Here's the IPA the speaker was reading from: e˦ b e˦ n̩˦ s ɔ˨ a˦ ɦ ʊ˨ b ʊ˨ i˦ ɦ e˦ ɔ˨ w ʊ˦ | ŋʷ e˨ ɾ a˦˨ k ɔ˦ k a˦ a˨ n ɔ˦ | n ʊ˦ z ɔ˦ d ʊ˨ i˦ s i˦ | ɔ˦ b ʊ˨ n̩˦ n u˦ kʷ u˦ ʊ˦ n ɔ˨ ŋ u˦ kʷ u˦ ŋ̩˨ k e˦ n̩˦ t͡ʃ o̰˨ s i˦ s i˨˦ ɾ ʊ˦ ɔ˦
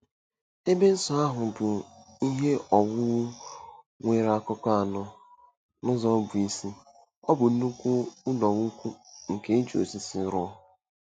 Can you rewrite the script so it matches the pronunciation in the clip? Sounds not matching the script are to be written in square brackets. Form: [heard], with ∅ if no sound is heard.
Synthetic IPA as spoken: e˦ b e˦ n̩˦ s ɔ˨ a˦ ɦ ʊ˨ b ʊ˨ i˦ ɦ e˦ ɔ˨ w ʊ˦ | ŋʷ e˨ ɾ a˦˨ k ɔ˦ k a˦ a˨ n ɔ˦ | n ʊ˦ z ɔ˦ [b] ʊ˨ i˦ s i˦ | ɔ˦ b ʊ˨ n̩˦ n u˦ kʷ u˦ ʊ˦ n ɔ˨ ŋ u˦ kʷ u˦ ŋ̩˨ k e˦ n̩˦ t͡ʃ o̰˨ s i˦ s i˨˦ ɾ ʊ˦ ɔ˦